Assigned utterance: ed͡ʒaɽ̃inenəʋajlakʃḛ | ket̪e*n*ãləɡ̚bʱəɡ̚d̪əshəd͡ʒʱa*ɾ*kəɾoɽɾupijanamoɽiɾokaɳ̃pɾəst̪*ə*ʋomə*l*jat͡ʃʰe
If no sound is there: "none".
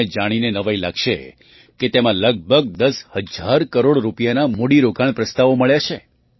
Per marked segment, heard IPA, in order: m, ɾ, a, ɭ

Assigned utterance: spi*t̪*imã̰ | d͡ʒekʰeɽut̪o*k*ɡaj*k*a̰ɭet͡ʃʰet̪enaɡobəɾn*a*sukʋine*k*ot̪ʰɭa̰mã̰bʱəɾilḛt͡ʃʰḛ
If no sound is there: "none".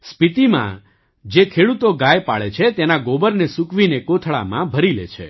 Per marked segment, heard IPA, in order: t̪, none, p, e, k

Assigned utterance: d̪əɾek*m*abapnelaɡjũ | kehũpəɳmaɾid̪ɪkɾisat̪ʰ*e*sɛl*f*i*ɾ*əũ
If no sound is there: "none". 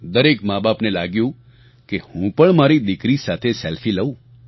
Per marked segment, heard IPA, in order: m, e, f, l

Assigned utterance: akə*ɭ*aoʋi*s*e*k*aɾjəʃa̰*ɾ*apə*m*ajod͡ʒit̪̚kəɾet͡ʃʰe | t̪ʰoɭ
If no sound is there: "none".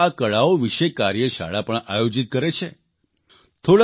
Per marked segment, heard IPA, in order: ɭ, ʃ, k, ɭ, ɳ

